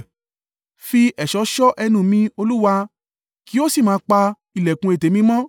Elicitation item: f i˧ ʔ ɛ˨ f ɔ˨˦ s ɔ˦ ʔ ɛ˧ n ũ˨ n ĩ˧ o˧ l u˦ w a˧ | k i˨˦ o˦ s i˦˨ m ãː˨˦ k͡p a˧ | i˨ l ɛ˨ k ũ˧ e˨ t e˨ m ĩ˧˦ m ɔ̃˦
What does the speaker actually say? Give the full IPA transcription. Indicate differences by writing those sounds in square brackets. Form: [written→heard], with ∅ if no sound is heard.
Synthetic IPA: f i˧ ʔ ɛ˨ [f→ʃ] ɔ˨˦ [s→ʃ] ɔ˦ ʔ ɛ˧ n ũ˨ [n→m] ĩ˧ o˧ l u˦ w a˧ | k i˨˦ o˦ s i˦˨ m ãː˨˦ k͡p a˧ | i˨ l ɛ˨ k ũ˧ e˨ t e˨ m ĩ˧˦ m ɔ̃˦